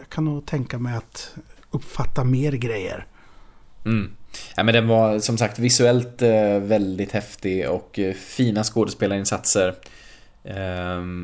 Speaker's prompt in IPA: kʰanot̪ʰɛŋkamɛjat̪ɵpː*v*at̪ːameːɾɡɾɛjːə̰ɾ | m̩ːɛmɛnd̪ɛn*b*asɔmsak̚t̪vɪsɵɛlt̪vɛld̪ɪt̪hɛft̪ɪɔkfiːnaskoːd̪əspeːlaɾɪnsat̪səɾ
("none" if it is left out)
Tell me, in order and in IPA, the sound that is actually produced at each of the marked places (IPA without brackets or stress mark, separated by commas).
f, v